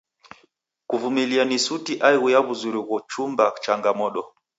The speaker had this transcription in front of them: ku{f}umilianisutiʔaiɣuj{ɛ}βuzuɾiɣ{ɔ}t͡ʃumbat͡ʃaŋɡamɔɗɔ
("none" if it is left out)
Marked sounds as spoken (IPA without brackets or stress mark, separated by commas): v, a, ɔ